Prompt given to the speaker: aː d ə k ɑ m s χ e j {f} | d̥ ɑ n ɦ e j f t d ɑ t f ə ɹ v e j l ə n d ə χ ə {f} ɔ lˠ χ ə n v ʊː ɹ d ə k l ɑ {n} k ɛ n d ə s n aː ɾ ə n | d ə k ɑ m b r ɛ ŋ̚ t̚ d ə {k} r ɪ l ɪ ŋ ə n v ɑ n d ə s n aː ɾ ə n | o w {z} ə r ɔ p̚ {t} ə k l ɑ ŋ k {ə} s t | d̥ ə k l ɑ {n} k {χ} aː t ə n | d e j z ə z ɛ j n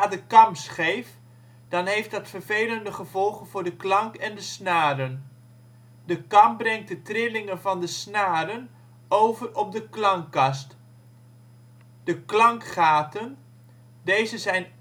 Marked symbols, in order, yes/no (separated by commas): yes, no, no, no, no, no, no, no, yes